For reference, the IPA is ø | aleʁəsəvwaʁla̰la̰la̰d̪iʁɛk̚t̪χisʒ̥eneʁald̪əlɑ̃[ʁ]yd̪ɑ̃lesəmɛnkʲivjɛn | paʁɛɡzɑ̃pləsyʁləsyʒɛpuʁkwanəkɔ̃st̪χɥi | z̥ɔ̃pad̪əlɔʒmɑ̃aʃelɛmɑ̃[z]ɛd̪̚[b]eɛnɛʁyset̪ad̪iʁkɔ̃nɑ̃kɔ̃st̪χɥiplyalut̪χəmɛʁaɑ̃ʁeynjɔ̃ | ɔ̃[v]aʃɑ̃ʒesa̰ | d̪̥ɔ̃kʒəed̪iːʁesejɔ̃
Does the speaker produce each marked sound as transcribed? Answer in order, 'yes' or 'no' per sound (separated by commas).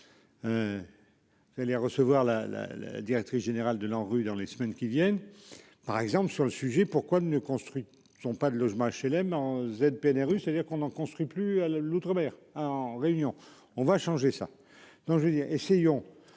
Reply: yes, yes, no, yes